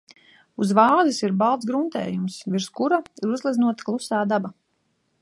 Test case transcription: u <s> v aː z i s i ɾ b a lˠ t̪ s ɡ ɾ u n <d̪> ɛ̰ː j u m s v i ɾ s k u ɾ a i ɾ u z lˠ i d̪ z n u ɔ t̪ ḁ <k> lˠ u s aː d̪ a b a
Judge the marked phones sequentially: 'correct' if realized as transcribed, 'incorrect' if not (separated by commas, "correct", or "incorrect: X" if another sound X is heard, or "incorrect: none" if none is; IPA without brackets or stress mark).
incorrect: z, incorrect: t̪, correct